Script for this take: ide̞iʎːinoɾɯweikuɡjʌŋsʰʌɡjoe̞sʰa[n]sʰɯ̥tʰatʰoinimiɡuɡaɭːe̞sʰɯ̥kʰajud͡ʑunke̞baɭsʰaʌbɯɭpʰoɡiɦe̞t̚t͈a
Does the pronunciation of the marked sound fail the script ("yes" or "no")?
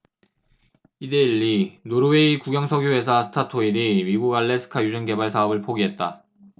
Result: yes